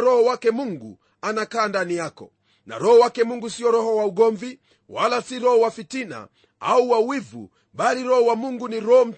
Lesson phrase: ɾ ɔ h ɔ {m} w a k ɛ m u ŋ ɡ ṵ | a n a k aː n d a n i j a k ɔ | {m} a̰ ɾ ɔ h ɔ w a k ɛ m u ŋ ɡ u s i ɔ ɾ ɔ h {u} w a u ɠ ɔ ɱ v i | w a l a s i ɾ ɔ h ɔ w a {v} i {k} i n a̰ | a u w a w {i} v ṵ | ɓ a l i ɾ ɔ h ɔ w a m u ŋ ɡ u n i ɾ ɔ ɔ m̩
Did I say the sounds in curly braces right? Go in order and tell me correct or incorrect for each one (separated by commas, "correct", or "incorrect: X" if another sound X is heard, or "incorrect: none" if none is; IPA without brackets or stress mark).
incorrect: none, incorrect: n, incorrect: ɔ, incorrect: f, incorrect: t, correct